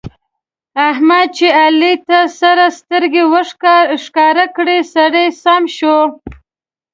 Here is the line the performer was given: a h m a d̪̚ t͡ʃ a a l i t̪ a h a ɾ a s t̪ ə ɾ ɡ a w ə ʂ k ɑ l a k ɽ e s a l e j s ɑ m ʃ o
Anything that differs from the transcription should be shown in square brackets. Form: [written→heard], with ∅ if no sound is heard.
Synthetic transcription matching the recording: a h m a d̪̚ t͡ʃ [a→e] a l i t̪ a [h→s] a ɾ a s t̪ ə ɾ ɡ [a→e] w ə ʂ k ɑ [l→ɾ] a k ɽ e s a [l→ɽ] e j s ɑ m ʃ o